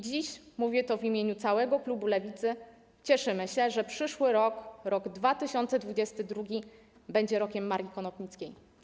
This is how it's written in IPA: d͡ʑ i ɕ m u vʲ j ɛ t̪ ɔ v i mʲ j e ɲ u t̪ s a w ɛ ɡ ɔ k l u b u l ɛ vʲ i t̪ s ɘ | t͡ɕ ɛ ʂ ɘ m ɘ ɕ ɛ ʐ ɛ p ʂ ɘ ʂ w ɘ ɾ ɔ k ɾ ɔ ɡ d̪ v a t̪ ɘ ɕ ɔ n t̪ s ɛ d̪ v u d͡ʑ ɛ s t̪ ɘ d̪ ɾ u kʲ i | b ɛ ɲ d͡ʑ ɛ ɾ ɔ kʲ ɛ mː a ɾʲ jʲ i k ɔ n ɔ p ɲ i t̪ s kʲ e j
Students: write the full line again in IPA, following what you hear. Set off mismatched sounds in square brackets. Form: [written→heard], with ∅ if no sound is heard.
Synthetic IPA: d͡ʑ i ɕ m u vʲ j ɛ t̪ ɔ v i mʲ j e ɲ u t̪ s a w ɛ ɡ ɔ k l u b u l ɛ vʲ i t̪ s ɘ | t͡ɕ ɛ ʂ ɘ m ɘ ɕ ɛ ʐ ɛ p ʂ ɘ ʂ w ɘ ɾ ɔ k ɾ ɔ ɡ d̪ v a t̪ ɘ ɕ ɔ n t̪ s ɛ d̪ v u d͡ʑ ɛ s t̪ ɘ d̪ ɾ u [kʲ→ɡʲ] i | b ɛ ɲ d͡ʑ ɛ ɾ ɔ kʲ ɛ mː a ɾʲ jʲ i k ɔ n ɔ p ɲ i t̪ s kʲ e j